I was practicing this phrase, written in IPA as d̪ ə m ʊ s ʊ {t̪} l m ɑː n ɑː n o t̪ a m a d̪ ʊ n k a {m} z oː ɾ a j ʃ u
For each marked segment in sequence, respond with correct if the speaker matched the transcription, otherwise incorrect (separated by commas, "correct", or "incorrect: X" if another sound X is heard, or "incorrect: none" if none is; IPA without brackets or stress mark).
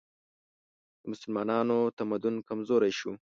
incorrect: none, correct